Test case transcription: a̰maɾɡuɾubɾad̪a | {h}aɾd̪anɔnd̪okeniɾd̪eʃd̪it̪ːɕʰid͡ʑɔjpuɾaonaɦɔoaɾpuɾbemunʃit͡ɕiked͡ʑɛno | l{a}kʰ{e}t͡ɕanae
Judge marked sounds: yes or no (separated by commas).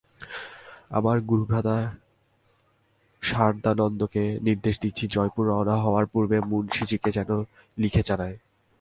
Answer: no, no, yes